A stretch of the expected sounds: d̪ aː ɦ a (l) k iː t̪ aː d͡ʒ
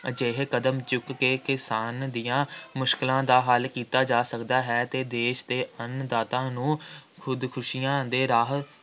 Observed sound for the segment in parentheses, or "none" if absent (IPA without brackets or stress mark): l